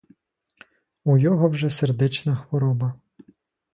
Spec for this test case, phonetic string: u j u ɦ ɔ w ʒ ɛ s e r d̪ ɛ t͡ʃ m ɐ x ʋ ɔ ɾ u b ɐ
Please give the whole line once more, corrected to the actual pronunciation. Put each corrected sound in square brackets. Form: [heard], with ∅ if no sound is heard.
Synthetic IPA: u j [ɔ] ɦ ɔ w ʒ ɛ s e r d̪ ɛ t͡ʃ [n] ɐ x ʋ ɔ ɾ [ɔ] b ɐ